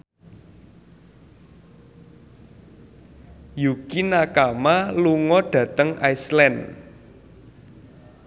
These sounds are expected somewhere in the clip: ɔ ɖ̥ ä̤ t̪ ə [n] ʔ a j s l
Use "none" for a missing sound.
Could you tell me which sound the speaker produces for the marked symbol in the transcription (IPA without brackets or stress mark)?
ŋ